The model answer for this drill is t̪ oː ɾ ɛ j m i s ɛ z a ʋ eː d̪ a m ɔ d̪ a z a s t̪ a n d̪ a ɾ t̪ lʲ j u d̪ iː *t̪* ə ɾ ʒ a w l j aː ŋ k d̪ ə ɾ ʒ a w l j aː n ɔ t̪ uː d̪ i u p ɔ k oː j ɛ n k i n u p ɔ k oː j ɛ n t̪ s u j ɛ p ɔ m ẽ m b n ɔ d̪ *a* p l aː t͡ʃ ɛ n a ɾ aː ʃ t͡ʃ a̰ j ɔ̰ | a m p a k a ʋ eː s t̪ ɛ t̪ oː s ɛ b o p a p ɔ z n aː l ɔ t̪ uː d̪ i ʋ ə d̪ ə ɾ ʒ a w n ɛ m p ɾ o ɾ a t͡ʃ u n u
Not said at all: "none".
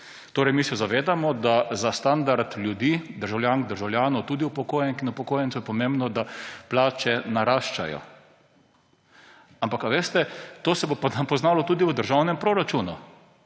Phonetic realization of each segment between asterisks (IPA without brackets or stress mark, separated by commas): d̪, a